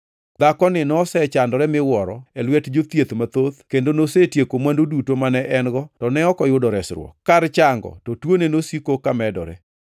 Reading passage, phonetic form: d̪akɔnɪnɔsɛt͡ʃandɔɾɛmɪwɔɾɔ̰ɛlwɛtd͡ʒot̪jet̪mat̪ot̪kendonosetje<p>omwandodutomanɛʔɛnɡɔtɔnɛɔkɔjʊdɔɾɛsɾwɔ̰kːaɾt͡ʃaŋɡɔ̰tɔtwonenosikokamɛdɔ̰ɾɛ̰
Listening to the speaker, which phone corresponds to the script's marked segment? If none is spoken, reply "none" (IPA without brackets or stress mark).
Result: k